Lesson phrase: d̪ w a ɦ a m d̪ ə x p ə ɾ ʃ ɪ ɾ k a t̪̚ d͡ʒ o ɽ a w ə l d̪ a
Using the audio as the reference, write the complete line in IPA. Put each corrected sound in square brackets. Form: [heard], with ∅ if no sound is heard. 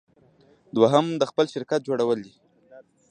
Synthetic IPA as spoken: d̪ w a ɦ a m d̪ ə x p ə [l] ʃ ɪ ɾ k a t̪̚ d͡ʒ o ɽ a w ə l d̪ [i]